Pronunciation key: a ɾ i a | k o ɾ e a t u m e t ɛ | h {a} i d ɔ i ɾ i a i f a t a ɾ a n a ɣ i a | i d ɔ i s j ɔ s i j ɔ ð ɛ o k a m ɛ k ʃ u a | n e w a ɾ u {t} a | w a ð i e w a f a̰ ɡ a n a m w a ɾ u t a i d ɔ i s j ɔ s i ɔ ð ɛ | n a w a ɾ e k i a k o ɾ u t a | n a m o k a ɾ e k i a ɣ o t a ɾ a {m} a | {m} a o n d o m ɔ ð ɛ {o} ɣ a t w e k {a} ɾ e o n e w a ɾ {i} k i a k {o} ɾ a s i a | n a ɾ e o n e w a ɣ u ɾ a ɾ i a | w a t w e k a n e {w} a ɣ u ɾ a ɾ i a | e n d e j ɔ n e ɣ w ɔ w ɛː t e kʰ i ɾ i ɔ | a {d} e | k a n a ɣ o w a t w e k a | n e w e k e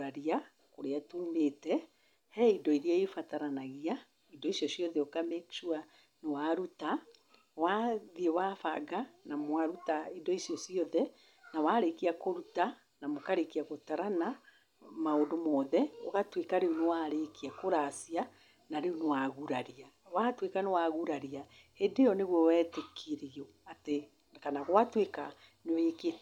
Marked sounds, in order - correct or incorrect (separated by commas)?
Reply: incorrect, correct, incorrect, correct, correct, correct, incorrect, correct, correct, incorrect